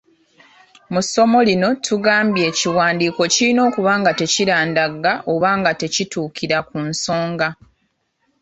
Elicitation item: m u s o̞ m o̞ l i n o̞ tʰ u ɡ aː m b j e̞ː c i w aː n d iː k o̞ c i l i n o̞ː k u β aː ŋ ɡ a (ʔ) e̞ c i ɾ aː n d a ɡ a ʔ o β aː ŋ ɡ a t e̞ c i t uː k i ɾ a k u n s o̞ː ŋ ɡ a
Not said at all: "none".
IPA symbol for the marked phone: t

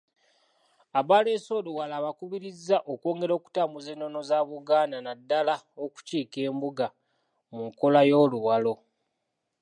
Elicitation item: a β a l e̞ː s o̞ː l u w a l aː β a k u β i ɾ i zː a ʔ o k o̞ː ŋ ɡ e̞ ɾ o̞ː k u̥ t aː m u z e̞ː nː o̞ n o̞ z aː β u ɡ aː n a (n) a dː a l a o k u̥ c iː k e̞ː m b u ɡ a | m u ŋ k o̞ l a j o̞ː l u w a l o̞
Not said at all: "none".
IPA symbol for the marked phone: n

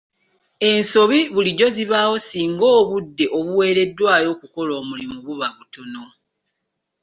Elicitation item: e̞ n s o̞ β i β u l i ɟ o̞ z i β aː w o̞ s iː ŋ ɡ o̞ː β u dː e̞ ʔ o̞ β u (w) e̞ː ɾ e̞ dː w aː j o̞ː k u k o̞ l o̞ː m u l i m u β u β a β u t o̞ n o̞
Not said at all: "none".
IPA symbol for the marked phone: w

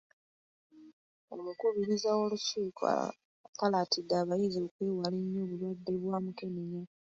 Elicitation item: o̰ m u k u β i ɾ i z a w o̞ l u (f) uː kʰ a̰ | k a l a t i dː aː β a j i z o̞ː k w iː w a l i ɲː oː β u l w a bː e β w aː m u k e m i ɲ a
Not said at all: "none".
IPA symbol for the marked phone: s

